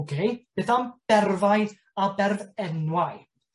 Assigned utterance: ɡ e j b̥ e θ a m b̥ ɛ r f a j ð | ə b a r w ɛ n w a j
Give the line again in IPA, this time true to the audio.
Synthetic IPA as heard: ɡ e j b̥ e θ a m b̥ ɛ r v a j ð | a b ɛ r v ɛ n w a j